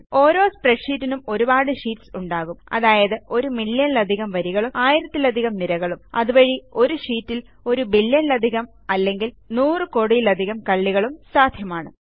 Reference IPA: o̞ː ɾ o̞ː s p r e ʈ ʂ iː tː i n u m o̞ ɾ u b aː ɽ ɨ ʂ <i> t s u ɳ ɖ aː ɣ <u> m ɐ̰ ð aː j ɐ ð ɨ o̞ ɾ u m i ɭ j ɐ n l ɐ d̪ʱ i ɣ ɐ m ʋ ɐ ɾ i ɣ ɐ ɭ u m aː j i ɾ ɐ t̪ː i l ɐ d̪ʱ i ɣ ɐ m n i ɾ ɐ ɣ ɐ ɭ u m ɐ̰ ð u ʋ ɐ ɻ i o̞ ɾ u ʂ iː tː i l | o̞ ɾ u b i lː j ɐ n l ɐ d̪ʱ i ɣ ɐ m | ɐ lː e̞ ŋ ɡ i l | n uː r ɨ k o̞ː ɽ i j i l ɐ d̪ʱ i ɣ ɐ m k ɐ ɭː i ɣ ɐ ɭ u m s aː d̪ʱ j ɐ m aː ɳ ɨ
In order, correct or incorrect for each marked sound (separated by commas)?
incorrect, correct